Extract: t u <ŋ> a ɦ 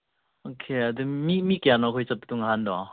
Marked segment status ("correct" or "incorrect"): correct